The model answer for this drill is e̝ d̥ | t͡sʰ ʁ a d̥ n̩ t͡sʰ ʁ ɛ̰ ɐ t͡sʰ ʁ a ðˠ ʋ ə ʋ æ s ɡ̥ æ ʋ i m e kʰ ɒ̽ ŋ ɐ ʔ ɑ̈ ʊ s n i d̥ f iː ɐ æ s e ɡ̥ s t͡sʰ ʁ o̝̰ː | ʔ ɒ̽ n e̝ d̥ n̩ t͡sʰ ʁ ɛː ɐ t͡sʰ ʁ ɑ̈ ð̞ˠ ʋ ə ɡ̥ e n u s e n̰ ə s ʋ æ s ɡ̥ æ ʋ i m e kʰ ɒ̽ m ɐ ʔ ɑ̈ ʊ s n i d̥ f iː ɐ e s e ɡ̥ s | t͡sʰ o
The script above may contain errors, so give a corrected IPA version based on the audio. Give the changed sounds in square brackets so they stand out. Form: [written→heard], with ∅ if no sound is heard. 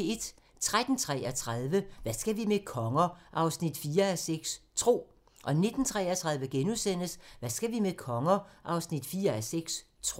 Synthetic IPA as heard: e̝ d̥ | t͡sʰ ʁ a d̥ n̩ t͡sʰ ʁ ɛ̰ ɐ t͡sʰ ʁ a ðˠ ʋ ə ʋ æ s ɡ̥ æ ʋ i m e kʰ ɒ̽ ŋ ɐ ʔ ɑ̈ ʊ s n i d̥ f iː ɐ æ s e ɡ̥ s t͡sʰ ʁ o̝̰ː | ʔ ɒ̽ n e̝ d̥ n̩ t͡sʰ ʁ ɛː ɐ t͡sʰ ʁ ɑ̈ ð̞ˠ ʋ ə ɡ̥ e n u s e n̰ ə s ʋ æ s ɡ̥ æ ʋ i m e kʰ ɒ̽ [m→ŋ] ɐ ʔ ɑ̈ ʊ s n i d̥ f iː ɐ [e→æ] s e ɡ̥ s | t͡sʰ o